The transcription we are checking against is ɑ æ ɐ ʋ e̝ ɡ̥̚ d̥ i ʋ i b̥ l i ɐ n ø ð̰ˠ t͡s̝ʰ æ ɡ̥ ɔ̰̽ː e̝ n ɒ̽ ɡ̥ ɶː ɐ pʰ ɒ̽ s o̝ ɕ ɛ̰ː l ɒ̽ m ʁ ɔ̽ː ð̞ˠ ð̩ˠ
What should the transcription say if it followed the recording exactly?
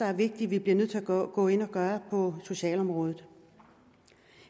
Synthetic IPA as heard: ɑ æ ɐ ʋ e̝ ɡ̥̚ d̥ i ʋ i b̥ l i ɐ n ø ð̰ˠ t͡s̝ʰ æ ɡ̥ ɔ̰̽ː e̝ n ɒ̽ ɡ̥ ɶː ɐ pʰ ɒ̽ s o̝ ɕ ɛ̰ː l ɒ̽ m ʁ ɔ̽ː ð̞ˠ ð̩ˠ